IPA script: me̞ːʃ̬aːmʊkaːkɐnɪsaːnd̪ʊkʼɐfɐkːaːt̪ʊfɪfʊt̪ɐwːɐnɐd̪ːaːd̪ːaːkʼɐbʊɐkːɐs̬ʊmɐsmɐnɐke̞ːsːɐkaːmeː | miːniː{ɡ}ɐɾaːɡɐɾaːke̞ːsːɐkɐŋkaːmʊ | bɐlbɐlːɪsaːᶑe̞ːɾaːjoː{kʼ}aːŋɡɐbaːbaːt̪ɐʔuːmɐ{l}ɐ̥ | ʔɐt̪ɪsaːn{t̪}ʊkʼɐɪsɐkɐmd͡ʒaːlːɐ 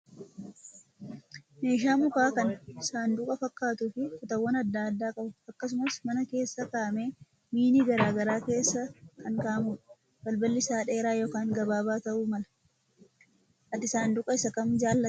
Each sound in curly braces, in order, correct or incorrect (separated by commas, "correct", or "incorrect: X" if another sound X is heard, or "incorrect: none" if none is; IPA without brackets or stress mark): correct, incorrect: k, correct, incorrect: d̪